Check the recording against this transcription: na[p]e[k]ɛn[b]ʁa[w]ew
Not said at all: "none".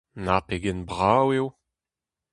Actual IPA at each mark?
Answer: p, ɡ, b, w

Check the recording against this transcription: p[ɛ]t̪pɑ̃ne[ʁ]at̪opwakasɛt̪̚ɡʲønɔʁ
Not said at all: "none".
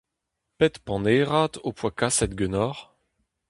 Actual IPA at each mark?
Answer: ɛ, ʁ

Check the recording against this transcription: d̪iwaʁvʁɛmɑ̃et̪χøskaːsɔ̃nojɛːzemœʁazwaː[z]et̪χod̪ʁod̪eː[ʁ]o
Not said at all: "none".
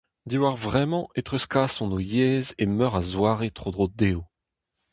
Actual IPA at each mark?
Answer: ʁ, none

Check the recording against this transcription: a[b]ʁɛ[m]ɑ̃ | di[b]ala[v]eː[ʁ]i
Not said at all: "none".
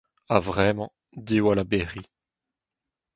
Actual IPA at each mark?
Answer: v, m, w, b, ʁ

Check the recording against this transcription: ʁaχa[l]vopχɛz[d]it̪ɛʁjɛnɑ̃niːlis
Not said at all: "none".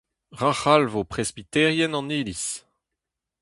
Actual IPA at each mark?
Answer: l, b

